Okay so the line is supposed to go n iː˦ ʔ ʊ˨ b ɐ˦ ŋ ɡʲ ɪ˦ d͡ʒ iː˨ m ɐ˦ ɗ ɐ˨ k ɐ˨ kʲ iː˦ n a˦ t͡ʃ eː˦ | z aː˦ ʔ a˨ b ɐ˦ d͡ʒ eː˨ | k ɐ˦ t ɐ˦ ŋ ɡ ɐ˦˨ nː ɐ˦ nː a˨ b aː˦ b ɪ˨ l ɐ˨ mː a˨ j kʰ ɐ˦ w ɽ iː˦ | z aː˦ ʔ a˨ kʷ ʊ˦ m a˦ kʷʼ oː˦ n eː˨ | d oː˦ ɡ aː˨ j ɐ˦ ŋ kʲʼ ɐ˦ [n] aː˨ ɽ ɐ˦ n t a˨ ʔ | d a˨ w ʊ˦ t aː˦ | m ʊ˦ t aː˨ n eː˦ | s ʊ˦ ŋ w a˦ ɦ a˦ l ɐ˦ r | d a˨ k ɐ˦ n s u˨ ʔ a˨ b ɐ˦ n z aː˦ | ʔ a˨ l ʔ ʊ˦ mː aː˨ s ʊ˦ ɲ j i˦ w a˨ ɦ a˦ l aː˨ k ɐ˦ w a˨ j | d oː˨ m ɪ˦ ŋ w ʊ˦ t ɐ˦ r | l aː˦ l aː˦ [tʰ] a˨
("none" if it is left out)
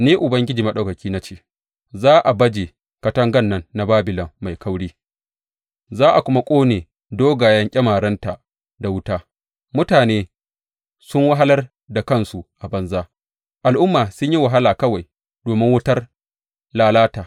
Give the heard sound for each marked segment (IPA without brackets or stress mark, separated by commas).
m, t